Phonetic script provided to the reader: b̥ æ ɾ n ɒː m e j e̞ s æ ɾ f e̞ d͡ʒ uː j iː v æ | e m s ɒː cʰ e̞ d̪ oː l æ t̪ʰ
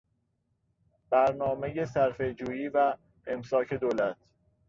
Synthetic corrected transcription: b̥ æ ɾ n ɒː m e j e̞ s æ ɾ f e̞ d͡ʒ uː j iː v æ | e m s ɒː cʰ e̞ d̪ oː l æ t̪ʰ